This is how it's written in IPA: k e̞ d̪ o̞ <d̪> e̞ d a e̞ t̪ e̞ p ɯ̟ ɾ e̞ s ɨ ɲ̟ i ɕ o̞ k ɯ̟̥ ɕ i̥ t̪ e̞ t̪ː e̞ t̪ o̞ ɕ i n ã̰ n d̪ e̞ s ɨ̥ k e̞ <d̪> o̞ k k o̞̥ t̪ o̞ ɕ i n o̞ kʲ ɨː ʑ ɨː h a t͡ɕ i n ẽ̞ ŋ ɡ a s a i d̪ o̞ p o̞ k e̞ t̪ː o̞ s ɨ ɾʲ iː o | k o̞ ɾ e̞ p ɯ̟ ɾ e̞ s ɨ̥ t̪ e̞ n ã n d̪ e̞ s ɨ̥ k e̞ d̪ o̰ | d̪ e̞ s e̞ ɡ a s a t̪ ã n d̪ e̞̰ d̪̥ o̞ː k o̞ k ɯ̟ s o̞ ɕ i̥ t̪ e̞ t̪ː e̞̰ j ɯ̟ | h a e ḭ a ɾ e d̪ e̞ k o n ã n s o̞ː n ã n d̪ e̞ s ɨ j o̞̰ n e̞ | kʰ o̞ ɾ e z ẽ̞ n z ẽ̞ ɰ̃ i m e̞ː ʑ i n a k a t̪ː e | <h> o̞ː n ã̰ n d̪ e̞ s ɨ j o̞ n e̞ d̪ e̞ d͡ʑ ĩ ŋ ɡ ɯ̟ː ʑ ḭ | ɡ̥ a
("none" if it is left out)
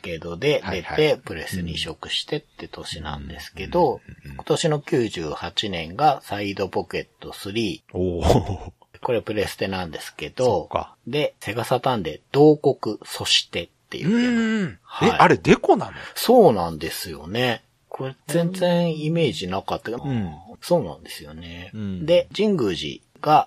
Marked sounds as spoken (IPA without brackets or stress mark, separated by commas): d̪, d̪, s